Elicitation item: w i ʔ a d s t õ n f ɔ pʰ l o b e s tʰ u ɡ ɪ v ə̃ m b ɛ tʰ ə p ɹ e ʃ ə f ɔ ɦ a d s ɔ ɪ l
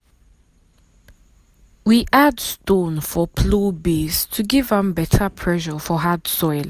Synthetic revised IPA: w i ʔ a d s t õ n f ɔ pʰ l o b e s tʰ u ɡ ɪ v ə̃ m b ɛ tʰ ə pʰ ɹ ɛ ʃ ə f ɔ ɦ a d s ɔ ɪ l